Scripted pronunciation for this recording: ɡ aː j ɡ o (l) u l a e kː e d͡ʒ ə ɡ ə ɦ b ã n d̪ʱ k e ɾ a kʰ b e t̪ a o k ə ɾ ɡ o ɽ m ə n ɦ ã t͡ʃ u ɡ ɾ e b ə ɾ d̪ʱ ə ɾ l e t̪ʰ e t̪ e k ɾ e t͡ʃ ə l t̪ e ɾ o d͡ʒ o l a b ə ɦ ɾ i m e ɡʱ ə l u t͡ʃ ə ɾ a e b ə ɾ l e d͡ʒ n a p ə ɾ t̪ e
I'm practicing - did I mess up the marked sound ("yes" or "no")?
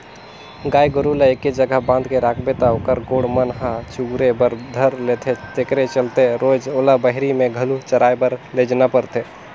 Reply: yes